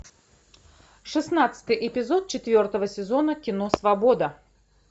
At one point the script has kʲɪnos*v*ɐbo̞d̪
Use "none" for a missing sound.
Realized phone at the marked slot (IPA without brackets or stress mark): v